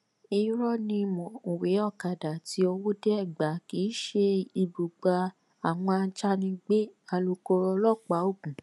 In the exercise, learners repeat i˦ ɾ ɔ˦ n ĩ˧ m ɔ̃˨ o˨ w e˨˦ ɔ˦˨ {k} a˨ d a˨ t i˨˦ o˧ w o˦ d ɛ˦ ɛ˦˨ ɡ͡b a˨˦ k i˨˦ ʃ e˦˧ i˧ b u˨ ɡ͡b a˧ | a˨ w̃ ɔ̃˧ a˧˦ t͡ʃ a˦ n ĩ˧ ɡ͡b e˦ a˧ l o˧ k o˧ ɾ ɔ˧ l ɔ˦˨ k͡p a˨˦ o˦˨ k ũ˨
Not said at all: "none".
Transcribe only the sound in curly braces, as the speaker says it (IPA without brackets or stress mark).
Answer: k